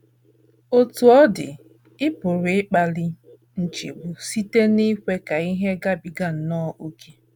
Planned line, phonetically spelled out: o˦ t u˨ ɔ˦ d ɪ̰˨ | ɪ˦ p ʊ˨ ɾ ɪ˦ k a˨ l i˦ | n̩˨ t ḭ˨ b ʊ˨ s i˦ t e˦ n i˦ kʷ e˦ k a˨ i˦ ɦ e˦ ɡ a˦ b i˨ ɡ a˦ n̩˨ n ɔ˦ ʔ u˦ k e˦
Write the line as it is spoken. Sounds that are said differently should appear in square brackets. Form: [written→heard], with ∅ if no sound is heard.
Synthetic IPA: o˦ t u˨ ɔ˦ d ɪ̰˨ | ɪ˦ p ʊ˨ ɾ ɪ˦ [k→k͡p] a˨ l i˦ | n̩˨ [t→t͡ʃ] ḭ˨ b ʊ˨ s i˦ t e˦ n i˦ kʷ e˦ k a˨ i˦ ɦ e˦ ɡ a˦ b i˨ ɡ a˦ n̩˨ n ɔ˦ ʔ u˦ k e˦